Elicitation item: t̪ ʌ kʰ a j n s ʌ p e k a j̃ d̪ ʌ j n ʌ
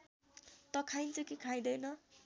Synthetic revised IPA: t̪ ʌ kʰ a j n t͡s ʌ k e kʰ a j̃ d̪ ʌ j n ʌ